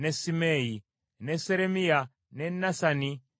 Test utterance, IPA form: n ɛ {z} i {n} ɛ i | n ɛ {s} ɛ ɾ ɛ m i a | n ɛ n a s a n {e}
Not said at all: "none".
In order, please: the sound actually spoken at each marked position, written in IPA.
s, m, s, i

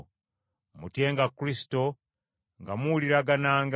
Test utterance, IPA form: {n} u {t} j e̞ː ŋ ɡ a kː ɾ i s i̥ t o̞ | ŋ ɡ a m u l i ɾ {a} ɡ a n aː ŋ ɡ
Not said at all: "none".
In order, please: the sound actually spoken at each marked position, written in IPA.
m, t, a

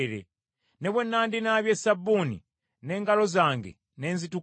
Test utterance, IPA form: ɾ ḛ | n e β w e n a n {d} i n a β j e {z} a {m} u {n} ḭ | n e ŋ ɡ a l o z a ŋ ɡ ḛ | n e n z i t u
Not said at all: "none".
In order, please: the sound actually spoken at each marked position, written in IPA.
d, s, b, n

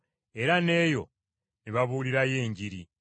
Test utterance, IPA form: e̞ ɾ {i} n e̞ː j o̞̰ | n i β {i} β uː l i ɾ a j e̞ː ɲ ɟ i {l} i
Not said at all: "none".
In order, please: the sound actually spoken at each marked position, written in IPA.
a, a, ɾ

